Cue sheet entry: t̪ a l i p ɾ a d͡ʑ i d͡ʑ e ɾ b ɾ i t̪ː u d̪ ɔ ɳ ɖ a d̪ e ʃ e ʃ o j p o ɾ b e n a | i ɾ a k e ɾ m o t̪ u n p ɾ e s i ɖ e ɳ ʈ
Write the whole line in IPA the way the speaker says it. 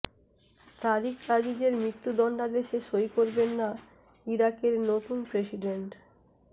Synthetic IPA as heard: t̪ a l i k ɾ a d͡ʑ i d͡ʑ e ɾ m ɾ i t̪ː u d̪ ɔ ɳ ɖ a d̪ e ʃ e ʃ o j k o ɾ b e nː a | i ɾ a k e ɾ n o t̪ u n p ɾ e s i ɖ e ɳ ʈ